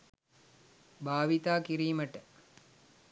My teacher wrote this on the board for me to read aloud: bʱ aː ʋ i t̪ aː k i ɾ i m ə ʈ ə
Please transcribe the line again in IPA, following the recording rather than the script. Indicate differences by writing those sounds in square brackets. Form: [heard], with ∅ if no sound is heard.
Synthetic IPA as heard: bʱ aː ʋ i t̪ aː k i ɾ [iː] m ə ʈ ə